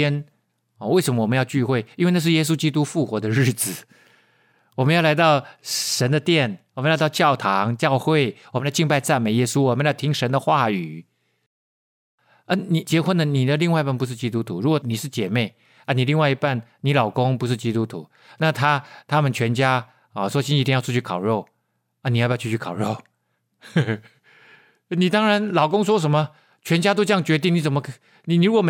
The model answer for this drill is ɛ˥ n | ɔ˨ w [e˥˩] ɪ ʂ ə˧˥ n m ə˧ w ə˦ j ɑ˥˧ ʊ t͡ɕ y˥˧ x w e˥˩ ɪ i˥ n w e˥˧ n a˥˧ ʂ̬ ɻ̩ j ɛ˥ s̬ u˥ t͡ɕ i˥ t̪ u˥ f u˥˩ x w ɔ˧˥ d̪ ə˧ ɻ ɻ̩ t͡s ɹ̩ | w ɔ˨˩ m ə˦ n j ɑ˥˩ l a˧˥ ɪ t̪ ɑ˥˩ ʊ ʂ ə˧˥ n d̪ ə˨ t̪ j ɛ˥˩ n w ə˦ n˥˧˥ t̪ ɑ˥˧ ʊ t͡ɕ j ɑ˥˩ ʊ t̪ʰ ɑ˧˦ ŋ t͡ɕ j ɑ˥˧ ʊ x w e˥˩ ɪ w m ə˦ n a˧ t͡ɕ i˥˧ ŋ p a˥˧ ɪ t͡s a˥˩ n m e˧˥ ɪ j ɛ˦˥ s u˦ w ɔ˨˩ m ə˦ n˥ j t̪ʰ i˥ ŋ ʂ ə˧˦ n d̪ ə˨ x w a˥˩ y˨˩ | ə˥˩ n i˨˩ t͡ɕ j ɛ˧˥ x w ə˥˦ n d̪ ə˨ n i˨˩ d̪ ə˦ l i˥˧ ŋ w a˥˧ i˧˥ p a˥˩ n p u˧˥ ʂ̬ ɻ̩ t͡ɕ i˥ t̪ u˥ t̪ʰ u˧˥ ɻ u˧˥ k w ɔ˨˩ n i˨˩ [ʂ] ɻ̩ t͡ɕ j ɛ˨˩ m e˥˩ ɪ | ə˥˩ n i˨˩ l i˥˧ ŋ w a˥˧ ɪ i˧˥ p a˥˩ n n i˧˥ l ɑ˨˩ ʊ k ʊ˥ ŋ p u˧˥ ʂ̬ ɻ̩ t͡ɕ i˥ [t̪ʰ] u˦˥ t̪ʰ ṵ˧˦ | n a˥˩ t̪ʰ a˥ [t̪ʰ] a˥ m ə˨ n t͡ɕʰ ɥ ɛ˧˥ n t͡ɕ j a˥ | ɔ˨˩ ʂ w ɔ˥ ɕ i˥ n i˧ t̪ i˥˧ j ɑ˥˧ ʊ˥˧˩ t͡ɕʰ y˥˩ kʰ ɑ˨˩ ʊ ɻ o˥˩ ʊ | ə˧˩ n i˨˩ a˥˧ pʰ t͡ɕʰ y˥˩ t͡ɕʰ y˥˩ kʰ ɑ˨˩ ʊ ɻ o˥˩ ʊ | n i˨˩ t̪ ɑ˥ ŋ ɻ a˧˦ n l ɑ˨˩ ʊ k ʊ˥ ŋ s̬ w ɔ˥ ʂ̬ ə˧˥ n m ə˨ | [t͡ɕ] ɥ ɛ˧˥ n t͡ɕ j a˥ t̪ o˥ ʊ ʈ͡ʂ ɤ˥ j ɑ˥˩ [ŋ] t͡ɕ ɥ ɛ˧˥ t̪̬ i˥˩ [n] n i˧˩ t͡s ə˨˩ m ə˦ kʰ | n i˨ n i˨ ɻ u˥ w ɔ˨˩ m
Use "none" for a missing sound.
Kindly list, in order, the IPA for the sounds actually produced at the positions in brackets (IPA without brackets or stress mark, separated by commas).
e˥˩, ʂ, t̪, t̪ʰ, t͡ɕʰ, ŋ, ŋ